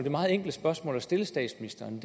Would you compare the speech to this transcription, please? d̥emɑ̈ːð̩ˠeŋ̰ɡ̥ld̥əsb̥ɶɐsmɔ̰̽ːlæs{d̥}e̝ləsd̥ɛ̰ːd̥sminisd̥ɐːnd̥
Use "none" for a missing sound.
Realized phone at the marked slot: d̥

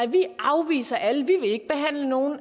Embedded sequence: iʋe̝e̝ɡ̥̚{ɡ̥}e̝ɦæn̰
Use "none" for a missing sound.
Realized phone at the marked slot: b̥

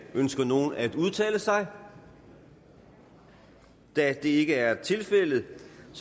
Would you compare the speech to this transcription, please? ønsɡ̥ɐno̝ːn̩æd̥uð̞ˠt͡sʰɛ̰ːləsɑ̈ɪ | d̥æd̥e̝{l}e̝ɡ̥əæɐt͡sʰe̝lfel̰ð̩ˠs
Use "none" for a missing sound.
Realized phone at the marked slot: none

